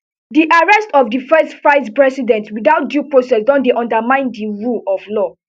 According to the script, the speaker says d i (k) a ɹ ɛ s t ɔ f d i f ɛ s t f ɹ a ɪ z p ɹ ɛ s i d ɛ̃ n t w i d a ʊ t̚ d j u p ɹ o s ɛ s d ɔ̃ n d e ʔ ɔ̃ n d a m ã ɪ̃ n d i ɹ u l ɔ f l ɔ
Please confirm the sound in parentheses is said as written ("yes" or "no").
no